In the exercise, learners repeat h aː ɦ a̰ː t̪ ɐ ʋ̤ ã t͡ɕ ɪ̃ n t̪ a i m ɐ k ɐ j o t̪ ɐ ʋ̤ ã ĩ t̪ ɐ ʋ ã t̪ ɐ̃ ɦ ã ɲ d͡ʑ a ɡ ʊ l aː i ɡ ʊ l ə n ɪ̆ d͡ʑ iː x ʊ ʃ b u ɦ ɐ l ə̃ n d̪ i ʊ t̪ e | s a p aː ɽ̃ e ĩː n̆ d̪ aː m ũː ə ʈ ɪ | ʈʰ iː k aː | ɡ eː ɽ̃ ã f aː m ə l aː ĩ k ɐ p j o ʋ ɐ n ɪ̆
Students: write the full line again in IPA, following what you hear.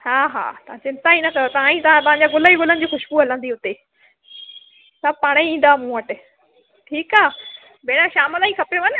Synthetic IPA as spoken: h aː ɦ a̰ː t̪ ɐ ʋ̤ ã t͡ɕ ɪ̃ n t̪ a i n ɐ k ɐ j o t̪ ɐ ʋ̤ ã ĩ t̪ ɐ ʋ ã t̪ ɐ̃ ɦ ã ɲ d͡ʑ a ɡ ʊ l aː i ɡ ʊ l ə n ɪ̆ d͡ʑ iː x ʊ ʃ b u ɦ ɐ l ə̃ n d̪ i ʊ t̪ e | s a p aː ɽ̃ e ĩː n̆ d̪ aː m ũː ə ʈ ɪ | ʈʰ iː k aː | b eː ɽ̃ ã ʃ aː m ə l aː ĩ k ɐ p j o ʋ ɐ n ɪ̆